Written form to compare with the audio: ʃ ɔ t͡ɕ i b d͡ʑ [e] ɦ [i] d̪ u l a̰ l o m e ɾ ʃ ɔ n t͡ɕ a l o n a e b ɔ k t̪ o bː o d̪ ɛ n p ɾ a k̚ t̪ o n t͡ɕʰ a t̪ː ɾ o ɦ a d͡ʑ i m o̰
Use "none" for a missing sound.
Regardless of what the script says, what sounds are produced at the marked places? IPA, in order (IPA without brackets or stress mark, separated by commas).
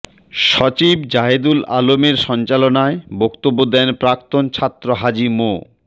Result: a, e